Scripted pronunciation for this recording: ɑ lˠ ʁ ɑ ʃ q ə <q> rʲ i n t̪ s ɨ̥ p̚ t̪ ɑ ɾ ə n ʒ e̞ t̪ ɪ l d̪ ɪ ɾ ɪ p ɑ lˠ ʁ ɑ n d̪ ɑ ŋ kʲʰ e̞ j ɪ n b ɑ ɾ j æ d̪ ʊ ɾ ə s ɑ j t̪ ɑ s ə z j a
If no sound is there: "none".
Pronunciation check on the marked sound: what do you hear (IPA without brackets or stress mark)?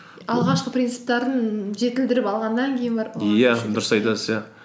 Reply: p